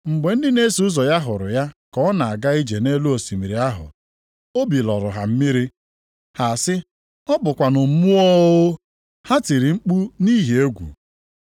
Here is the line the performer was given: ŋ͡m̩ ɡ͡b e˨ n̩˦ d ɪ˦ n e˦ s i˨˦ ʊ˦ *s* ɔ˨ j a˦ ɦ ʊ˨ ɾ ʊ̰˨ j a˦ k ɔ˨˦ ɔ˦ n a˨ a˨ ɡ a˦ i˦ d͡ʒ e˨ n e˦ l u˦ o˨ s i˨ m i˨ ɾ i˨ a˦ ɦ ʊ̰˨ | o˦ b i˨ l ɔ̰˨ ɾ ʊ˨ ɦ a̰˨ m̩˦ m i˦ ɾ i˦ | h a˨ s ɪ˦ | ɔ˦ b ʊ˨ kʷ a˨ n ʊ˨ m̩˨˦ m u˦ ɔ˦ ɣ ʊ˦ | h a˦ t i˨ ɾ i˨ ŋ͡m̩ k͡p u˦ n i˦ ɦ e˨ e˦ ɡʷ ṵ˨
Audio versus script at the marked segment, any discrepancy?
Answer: yes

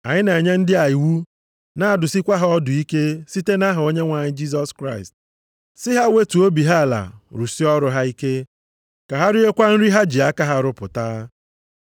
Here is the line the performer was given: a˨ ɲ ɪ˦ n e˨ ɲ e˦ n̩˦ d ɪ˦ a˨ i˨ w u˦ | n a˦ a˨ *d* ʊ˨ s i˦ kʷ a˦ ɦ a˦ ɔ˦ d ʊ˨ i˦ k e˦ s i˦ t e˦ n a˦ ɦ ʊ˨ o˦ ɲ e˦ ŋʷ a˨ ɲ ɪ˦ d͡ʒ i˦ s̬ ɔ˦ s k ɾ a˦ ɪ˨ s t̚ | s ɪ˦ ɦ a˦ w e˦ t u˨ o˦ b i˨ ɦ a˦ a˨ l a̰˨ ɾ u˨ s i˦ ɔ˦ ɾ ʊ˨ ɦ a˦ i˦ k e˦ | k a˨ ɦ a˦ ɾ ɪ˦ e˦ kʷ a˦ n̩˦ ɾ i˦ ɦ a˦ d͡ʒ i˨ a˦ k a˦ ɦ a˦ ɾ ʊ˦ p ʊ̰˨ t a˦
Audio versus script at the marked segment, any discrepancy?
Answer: no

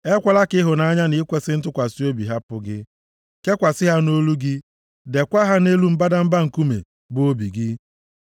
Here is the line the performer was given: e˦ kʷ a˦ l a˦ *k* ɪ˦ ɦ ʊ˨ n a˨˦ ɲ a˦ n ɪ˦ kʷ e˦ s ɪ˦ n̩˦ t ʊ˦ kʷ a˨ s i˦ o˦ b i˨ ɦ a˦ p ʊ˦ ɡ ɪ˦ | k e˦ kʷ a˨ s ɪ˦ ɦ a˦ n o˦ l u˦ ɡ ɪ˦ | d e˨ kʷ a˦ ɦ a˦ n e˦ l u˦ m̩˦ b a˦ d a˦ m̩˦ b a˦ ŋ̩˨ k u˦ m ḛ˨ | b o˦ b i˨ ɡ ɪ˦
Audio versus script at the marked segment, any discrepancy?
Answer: no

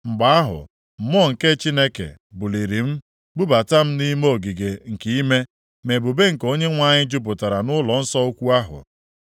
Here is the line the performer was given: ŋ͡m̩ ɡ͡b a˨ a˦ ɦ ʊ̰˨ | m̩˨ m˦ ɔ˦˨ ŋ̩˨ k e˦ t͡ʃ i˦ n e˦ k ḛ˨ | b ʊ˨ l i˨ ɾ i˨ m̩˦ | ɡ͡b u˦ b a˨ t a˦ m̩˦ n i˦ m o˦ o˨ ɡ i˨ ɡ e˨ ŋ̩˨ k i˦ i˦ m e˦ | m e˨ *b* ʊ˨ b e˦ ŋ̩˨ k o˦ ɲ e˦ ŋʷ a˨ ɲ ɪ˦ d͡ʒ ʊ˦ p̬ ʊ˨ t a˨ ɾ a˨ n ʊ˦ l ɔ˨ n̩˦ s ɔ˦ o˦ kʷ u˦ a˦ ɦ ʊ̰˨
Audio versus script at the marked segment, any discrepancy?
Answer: no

